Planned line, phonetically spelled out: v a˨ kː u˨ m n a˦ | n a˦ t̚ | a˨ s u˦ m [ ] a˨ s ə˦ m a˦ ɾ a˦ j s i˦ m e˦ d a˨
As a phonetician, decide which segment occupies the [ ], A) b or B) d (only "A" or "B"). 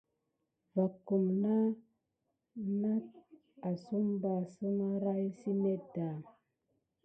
A